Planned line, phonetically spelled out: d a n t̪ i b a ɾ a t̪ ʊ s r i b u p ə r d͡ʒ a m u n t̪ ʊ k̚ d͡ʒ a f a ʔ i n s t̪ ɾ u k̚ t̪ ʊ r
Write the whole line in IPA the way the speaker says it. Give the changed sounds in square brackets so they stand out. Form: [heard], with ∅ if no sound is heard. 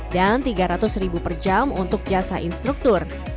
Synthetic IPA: d a n t̪ i [ɡ] a ɾ a t̪ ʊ s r i b u p ə r d͡ʒ a m u n t̪ ʊ k̚ d͡ʒ a [s] a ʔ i n s t̪ ɾ u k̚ t̪ ʊ r